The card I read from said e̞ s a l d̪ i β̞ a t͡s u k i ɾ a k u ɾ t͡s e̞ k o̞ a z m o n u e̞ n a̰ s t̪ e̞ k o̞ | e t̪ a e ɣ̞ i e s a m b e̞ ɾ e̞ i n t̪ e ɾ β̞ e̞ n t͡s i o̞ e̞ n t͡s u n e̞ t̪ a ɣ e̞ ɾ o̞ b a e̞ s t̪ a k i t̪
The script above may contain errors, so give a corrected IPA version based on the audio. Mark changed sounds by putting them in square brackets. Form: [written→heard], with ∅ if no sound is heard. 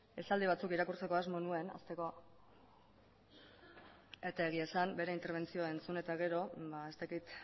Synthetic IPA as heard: e̞ s a l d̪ i β̞ a t͡s u k i ɾ a k u ɾ t͡s e̞ k o̞ a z m o n u e̞ n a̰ s t̪ e̞ k o̞ | e t̪ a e ɣ̞ i e s a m b e̞ ɾ e̞ i n t̪ e ɾ β̞ e̞ n t͡s i o̞ e̞ n t͡s u n e̞ t̪ a ɣ e̞ ɾ o̞ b a e̞ s t̪ a k i t̪

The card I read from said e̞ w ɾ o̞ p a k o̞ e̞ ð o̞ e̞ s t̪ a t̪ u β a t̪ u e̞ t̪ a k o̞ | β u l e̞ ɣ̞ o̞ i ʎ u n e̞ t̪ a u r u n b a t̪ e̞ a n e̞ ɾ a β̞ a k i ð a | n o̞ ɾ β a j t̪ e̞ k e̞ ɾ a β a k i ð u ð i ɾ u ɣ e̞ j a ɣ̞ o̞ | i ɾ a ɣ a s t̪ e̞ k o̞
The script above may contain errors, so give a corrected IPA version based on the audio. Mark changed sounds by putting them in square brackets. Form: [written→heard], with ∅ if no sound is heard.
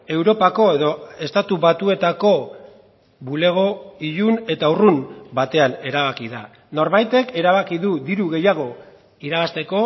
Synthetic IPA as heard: e̞ w ɾ o̞ p a k o̞ e̞ ð o̞ e̞ s t̪ a t̪ u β a t̪ u e̞ t̪ a k o̞ | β u l e̞ ɣ̞ o̞ i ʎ u n e̞ t̪ a u r u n b a t̪ e̞ a n e̞ ɾ a β̞ a k i ð a | n o̞ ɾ β a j t̪ e̞ k e̞ ɾ a β a k i ð u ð i ɾ u ɣ e̞ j a ɣ̞ o̞ | i ɾ a ɣ a s t̪ e̞ k o̞

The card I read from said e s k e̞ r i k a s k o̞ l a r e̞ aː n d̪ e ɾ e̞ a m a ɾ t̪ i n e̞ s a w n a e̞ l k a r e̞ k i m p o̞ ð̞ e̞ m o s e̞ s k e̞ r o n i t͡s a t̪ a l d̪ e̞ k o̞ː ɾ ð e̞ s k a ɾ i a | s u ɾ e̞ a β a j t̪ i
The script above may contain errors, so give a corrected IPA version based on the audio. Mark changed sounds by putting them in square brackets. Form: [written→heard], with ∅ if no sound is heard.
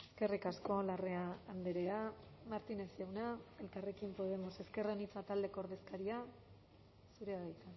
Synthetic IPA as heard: e s k e̞ r i k a s k o̞ l a r e̞ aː n d̪ e ɾ e̞ a m a ɾ t̪ i n e̞ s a w n a e̞ l k a r e̞ k i m p o̞ ð̞ e̞ m o s e̞ s k e̞ r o n i t͡s a t̪ a l d̪ e̞ k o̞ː ɾ ð e̞ s k a ɾ i a | s u ɾ e̞ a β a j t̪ [i→a]

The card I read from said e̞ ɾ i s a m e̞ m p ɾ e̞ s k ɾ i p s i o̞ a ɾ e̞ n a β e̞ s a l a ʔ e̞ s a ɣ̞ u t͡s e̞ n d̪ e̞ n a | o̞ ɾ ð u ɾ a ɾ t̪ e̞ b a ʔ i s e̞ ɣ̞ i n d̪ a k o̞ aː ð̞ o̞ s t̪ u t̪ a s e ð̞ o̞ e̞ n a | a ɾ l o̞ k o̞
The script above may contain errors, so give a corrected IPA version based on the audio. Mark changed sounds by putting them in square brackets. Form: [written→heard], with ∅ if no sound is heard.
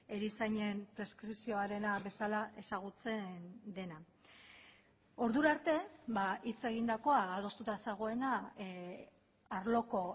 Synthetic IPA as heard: e̞ ɾ i s a [m→ɲ] e̞ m p ɾ e̞ s k ɾ i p s i o̞ a ɾ e̞ n a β e̞ s a l a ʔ e̞ s a ɣ̞ u t͡s e̞ n d̪ e̞ n a | o̞ ɾ ð u ɾ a ɾ t̪ e̞ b a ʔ i [s→t͡s] e̞ ɣ̞ i n d̪ a k o̞ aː ð̞ o̞ s t̪ u t̪ a s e [ð̞→ɣ̞] o̞ e̞ n a | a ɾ l o̞ k o̞

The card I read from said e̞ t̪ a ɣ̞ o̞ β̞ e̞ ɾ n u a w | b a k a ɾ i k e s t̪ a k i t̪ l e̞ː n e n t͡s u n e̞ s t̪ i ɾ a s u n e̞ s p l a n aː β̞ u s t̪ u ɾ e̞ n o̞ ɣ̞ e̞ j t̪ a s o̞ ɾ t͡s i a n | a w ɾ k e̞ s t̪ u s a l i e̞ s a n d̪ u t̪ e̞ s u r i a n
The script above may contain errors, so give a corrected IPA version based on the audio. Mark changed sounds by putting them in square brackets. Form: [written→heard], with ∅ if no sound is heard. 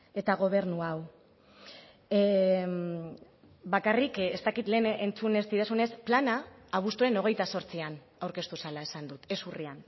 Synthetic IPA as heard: e̞ t̪ a ɣ̞ o̞ β̞ e̞ ɾ n u a w | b a k a [ɾ→r] i k e s t̪ a k i t̪ l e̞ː n e n t͡s u n e̞ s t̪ i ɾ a s u n e̞ s p l a n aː β̞ u s t̪ u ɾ e̞ n o̞ ɣ̞ e̞ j t̪ a s o̞ ɾ t͡s i a n | a w ɾ k e̞ s t̪ u s a l [i→a] e̞ s a n d̪ u t̪ e̞ s u r i a n

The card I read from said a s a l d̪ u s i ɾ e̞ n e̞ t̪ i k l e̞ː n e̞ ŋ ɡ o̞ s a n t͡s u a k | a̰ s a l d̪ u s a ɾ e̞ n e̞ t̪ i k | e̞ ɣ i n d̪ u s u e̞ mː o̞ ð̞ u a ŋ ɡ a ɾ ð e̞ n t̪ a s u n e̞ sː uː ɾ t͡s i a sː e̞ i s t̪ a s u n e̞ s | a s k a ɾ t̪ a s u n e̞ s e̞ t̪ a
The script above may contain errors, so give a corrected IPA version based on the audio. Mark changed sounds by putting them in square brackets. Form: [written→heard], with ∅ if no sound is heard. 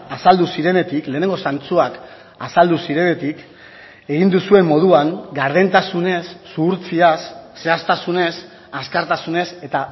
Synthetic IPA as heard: a s a l d̪ u s i ɾ e̞ n e̞ t̪ i k l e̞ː n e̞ ŋ ɡ o̞ s a n t͡s u a k | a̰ s a l d̪ u s [a→i] ɾ e̞ n e̞ t̪ i k | e̞ ɣ i n d̪ u s u e̞ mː o̞ ð̞ u a ŋ ɡ a ɾ ð e̞ n t̪ a s u n e̞ sː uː ɾ t͡s i a sː e̞ [i→a] s t̪ a s u n e̞ s | a s k a ɾ t̪ a s u n e̞ s e̞ t̪ a

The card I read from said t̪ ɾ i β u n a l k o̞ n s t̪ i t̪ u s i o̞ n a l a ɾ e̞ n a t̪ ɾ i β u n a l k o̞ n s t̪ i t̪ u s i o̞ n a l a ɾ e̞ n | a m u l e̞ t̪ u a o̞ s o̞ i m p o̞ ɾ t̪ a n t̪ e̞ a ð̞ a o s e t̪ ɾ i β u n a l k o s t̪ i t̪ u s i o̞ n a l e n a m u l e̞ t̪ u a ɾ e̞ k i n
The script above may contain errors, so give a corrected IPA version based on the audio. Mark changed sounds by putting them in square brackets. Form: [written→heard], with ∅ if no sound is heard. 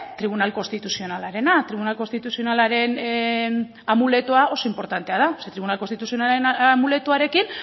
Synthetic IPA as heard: t̪ ɾ i β u n a l k o̞ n s t̪ i t̪ u s i o̞ n a l a ɾ e̞ n a t̪ ɾ i β u n a l k o̞ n s t̪ i t̪ u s i o̞ n a l a ɾ e̞ n | a m u l e̞ t̪ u a o̞ s o̞ i m p o̞ ɾ t̪ a n t̪ e̞ a ð̞ a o s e t̪ ɾ i β u n a l k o s t̪ i t̪ u s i o̞ n a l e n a m u l e̞ t̪ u a ɾ e̞ k i n

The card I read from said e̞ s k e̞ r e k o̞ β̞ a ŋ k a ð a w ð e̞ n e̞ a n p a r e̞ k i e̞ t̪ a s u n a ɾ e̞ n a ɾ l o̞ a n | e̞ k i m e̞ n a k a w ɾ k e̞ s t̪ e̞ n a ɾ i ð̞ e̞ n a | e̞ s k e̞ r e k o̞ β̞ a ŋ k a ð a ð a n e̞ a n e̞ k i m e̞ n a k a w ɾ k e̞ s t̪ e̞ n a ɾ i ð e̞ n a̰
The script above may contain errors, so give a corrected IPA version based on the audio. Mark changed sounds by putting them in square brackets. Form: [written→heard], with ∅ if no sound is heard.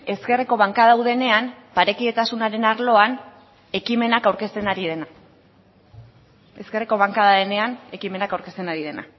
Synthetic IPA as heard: e̞ s k e̞ r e k o̞ β̞ a ŋ k a ð a w ð e̞ n e̞ a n p a [r→ɾ] e̞ k i e̞ t̪ a s u n a ɾ e̞ n a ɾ l o̞ a n | e̞ k i m e̞ n a k a w ɾ k e̞ s t̪ e̞ n a ɾ i ð̞ e̞ n a | e̞ s k e̞ r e k o̞ β̞ a ŋ k a ð a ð [a→e] n e̞ a n e̞ k i m e̞ n a k a w ɾ k e̞ s t̪ e̞ n a ɾ i ð e̞ n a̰

